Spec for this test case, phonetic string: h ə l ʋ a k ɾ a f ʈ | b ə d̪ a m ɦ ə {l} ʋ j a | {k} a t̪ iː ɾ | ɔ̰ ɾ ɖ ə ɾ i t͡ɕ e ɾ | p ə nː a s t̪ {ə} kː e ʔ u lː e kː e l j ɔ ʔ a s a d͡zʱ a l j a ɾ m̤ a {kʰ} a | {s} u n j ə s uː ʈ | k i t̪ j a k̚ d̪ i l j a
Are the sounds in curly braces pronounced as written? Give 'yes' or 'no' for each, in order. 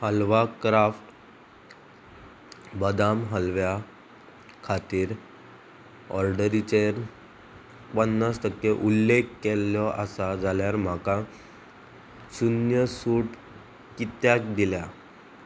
yes, no, yes, no, yes

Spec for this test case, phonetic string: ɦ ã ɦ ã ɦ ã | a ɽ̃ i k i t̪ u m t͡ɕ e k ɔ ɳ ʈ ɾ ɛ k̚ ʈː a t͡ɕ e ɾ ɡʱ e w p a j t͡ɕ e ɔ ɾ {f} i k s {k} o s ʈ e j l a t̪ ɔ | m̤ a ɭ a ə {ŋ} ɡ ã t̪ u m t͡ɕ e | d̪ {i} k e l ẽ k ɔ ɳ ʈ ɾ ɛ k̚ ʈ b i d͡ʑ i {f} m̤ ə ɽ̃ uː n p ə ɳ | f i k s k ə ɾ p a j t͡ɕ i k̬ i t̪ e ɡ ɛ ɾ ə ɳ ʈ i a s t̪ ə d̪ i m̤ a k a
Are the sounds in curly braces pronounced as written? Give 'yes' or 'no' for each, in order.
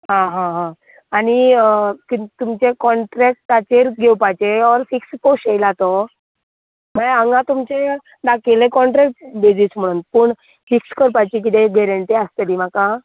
yes, no, yes, no, no

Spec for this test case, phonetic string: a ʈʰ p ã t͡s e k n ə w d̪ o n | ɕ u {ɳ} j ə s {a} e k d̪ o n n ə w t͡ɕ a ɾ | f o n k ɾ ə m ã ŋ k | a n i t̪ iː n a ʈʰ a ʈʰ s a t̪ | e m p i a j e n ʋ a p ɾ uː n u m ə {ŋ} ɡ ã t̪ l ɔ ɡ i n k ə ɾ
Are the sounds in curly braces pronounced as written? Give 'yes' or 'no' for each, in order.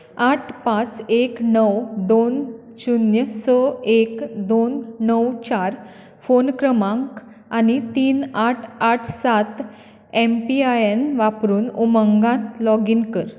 no, no, yes

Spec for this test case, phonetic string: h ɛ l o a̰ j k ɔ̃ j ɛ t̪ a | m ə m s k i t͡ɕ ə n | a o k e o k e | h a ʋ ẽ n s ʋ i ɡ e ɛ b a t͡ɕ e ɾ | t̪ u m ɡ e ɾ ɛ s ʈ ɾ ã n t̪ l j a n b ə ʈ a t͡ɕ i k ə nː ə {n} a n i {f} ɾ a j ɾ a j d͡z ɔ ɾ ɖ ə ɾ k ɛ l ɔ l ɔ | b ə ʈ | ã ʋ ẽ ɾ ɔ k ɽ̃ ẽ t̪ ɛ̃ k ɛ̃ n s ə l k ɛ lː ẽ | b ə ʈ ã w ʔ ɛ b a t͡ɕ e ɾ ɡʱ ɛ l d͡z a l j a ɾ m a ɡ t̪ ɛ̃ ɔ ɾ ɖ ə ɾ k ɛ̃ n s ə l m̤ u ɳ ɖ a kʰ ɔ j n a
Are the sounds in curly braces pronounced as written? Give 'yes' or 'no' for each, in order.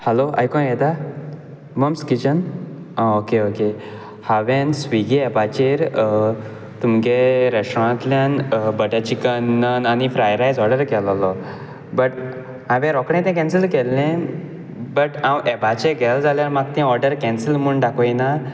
yes, yes

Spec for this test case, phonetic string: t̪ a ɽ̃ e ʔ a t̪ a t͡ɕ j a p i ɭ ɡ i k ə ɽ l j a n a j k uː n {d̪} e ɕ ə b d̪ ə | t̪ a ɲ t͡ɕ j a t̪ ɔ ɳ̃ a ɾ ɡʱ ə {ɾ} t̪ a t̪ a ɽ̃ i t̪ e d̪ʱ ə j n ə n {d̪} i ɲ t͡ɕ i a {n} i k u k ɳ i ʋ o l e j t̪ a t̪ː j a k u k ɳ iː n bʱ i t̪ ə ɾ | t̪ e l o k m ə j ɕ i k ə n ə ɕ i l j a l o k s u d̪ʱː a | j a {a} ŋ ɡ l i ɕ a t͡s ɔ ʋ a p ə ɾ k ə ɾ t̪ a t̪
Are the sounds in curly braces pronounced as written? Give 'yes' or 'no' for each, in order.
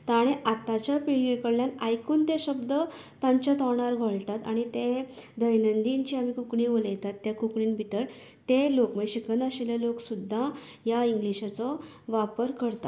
no, no, yes, no, no

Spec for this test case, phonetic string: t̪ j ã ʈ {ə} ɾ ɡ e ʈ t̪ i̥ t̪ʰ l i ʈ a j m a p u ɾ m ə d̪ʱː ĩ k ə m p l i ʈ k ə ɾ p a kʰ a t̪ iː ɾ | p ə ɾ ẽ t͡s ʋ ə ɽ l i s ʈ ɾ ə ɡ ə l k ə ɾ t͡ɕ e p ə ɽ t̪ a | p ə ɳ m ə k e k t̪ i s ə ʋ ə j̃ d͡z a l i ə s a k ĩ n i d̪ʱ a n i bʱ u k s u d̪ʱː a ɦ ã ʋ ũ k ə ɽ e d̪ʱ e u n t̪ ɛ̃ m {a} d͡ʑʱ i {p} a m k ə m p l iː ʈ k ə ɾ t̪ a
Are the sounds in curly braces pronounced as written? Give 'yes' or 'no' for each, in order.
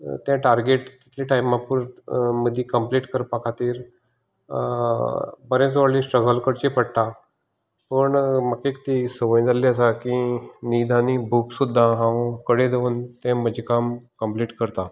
no, no, no

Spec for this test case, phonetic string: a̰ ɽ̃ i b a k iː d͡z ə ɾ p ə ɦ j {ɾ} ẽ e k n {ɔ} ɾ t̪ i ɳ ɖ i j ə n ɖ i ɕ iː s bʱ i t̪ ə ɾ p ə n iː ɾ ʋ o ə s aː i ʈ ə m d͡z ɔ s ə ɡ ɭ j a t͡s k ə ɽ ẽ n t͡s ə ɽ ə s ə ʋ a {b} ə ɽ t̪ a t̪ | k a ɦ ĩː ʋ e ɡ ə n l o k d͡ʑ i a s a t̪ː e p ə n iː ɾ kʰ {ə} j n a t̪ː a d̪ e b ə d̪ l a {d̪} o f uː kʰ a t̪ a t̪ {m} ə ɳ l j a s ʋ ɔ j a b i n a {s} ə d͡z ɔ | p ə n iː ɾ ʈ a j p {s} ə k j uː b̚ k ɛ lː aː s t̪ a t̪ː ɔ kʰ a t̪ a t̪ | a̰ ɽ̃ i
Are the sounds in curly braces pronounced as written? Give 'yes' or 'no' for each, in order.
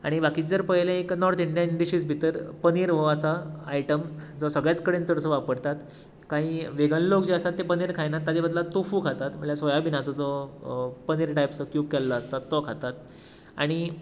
no, yes, no, no, no, yes, no, yes

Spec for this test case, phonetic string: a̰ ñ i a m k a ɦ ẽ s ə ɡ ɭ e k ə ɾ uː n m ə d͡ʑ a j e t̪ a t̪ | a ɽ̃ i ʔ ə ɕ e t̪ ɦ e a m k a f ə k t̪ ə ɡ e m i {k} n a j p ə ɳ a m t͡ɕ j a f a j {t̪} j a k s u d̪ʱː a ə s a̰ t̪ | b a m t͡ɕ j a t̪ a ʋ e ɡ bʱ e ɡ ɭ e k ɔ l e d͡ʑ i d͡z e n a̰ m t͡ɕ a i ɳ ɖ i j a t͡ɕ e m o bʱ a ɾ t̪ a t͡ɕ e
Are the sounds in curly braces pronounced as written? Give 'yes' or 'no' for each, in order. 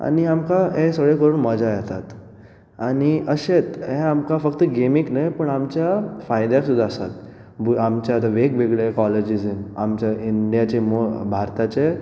yes, no

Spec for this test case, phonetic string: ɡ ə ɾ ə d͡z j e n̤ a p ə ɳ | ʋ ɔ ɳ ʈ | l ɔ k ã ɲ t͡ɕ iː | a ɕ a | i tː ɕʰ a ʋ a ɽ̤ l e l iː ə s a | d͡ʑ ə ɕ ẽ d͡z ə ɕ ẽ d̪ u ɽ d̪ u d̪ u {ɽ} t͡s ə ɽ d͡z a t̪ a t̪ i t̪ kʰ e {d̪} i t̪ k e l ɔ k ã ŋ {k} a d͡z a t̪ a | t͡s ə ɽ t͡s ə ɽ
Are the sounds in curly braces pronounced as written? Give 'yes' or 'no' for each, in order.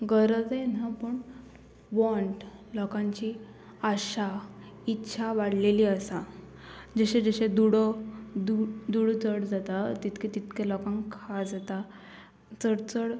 yes, no, no

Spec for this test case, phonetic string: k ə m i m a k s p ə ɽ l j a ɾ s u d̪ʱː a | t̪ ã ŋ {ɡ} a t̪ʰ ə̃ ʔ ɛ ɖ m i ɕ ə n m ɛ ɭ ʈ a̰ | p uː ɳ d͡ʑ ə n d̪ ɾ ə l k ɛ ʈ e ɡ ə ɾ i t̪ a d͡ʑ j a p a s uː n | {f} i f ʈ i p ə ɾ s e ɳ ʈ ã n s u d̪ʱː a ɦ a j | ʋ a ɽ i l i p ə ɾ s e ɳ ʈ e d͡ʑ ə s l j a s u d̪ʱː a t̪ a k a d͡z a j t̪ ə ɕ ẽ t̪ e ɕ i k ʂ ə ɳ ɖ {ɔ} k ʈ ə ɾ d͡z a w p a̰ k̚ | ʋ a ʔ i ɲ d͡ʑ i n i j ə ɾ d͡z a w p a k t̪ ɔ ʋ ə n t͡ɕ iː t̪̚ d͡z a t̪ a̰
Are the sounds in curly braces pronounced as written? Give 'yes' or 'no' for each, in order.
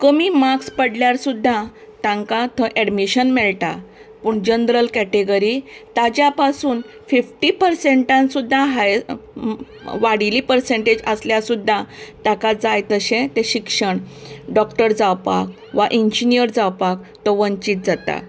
no, yes, yes

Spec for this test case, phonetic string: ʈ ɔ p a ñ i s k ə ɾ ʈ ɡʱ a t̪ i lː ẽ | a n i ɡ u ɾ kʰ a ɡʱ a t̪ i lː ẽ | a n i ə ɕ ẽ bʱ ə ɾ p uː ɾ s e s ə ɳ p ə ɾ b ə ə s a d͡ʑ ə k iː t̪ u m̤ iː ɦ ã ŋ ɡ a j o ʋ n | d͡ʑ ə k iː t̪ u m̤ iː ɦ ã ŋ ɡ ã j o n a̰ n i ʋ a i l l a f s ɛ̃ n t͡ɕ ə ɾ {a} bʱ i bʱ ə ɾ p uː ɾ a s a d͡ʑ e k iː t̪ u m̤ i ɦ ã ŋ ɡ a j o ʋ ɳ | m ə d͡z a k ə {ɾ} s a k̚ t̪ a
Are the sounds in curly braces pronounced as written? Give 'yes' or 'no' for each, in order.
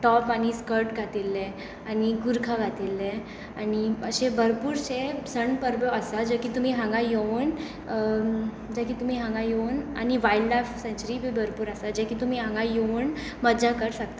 no, yes

